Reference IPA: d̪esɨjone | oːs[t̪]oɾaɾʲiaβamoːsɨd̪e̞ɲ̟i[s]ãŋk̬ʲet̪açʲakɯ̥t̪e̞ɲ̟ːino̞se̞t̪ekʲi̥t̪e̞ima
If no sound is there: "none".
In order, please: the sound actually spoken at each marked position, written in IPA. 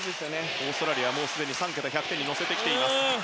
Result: t̪, s

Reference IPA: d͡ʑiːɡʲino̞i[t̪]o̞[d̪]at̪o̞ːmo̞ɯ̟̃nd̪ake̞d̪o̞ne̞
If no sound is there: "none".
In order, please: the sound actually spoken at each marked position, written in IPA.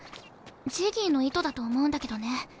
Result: t̪, d̪

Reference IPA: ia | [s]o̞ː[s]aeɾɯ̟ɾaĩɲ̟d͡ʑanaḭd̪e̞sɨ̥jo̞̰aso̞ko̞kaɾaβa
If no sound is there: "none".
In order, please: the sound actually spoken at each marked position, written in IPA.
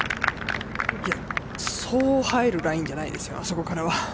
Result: s, h

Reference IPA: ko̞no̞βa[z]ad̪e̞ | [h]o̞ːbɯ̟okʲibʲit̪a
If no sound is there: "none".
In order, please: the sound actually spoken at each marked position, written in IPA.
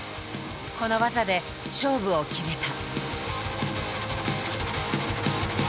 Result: z, ɕ

